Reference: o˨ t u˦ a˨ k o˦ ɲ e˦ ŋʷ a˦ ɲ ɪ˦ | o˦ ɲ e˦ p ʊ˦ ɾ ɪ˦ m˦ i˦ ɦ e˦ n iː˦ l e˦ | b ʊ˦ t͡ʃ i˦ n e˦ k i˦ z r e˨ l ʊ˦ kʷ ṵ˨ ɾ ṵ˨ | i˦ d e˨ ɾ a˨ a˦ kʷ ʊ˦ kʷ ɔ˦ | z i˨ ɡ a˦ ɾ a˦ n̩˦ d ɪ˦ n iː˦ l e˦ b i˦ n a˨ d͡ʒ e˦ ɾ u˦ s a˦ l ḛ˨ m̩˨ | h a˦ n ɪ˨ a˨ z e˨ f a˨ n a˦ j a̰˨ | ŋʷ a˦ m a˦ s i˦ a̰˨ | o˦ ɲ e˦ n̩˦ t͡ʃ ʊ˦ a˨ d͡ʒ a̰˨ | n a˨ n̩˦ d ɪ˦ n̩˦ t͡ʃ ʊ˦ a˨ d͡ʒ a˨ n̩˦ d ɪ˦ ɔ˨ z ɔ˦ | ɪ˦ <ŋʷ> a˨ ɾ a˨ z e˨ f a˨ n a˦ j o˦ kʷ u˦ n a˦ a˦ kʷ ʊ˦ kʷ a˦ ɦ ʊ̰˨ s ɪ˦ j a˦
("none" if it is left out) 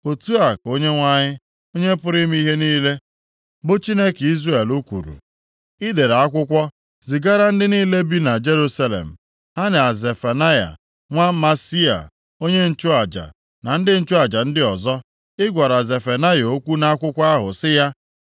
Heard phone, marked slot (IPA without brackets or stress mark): ɡʷ